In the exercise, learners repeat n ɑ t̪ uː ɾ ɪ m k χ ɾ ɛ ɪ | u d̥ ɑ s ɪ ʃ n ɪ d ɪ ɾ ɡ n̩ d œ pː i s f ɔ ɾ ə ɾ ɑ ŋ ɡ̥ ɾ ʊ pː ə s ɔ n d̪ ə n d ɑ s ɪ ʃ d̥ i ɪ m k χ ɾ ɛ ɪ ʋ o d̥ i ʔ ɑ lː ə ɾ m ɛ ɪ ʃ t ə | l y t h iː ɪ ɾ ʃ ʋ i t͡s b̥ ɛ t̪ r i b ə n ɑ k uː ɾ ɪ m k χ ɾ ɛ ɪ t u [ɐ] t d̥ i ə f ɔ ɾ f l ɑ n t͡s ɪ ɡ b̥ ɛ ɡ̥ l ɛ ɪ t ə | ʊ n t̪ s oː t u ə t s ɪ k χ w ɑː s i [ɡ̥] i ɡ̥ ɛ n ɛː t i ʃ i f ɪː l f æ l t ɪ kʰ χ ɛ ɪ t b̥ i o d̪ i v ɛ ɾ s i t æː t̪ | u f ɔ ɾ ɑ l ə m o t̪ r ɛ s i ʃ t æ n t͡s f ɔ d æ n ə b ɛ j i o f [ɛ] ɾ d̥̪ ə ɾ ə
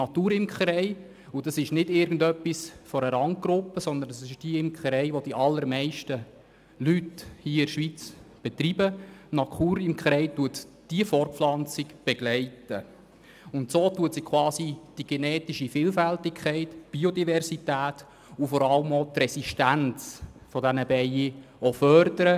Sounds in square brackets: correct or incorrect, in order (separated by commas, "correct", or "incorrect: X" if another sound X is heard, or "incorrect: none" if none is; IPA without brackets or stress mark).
incorrect: ə, incorrect: d̥, incorrect: œ